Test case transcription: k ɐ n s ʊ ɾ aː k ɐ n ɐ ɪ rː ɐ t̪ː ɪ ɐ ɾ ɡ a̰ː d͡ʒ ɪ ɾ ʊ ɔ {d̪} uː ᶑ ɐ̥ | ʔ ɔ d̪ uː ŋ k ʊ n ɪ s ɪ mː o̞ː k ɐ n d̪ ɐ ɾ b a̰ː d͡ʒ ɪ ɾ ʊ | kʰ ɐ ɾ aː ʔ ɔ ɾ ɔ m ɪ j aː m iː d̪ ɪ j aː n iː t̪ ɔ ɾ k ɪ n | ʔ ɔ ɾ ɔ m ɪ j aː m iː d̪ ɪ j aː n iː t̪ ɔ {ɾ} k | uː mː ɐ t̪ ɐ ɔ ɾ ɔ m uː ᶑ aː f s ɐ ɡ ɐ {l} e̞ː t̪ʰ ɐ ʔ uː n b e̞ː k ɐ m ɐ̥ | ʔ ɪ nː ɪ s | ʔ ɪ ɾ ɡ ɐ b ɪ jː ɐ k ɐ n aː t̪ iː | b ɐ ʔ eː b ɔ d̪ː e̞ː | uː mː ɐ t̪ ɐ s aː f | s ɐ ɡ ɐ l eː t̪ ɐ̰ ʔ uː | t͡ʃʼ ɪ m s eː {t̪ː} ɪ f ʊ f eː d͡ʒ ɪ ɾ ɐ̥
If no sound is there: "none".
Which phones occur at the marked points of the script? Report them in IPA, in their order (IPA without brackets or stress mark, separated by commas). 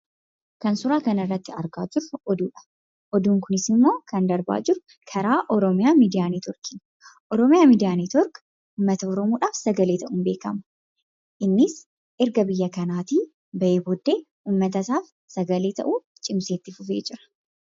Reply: d̪, ɾ, l, t̪ː